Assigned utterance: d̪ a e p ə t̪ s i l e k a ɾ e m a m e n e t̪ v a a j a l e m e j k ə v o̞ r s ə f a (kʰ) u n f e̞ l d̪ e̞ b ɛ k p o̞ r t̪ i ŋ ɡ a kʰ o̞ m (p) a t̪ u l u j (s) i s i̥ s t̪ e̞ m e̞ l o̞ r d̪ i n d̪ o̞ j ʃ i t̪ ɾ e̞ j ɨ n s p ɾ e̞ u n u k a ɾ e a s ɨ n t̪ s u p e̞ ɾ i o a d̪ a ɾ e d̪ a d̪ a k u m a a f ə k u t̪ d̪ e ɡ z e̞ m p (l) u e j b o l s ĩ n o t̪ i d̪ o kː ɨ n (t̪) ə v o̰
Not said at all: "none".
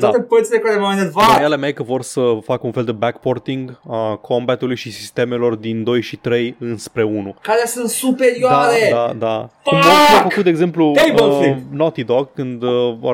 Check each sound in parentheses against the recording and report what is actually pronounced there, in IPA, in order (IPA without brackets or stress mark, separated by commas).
k, b, ʃ, l, d̪